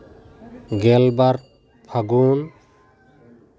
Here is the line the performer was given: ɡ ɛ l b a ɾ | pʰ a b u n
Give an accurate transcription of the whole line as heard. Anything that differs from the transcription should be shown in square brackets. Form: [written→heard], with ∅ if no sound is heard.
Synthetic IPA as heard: ɡ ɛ l b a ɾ | pʰ a [b→ɡ] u n